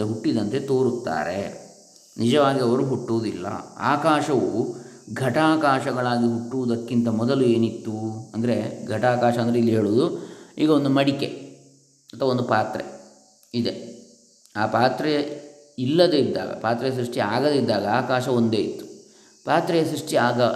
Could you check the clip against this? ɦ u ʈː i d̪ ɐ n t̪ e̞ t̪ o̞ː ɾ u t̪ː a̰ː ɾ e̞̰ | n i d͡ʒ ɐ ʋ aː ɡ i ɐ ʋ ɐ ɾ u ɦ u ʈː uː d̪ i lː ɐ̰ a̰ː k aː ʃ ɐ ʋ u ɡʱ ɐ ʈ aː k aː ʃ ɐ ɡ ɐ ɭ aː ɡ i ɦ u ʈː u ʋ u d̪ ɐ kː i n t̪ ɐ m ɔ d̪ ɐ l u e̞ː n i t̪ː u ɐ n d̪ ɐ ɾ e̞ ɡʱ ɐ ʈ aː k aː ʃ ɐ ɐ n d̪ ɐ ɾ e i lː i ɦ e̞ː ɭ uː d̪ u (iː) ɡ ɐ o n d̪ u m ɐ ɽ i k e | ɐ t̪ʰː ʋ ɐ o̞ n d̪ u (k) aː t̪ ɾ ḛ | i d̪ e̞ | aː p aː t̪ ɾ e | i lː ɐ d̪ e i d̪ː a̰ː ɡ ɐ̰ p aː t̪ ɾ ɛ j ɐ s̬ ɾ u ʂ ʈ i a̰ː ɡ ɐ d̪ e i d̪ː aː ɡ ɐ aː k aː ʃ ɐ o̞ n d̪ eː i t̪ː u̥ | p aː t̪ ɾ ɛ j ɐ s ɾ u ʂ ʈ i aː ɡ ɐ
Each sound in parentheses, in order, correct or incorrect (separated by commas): correct, incorrect